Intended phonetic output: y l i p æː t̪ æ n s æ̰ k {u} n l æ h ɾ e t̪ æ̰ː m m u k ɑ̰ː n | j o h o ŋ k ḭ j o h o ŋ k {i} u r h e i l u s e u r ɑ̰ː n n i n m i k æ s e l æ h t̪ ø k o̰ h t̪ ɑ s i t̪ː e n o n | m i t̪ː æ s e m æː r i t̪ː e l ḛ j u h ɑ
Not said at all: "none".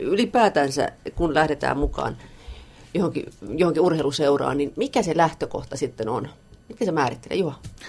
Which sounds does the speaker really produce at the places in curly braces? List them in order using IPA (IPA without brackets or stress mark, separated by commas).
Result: u, i